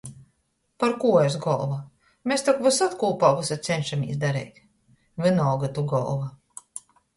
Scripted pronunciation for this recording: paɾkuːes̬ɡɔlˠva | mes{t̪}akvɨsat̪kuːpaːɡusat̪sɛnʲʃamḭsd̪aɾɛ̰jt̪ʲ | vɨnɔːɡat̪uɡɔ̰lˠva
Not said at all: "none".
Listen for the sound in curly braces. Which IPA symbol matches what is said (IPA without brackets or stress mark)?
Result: t̪